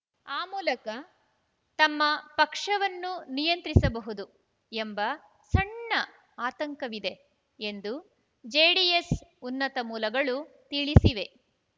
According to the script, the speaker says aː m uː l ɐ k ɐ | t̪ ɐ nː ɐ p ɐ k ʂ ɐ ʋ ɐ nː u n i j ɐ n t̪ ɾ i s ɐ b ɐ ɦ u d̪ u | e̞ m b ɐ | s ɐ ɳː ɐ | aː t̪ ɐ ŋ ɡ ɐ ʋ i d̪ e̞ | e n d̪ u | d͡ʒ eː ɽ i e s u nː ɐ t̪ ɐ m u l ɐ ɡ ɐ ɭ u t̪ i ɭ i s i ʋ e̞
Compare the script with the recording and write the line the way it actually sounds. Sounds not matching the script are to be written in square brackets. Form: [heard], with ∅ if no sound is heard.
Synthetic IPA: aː m uː l ɐ k ɐ | t̪ ɐ [mː] ɐ p ɐ k ʂ ɐ ʋ ɐ nː u n i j ɐ n t̪ ɾ i s ɐ b ɐ ɦ u d̪ u | e̞ m b ɐ | s ɐ ɳː ɐ | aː t̪ ɐ ŋ [k] ɐ ʋ i d̪ e̞ | e n d̪ u | d͡ʒ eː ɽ i e s u nː ɐ t̪ ɐ m [uː] l ɐ ɡ ɐ ɭ u t̪ i ɭ i s i ʋ e̞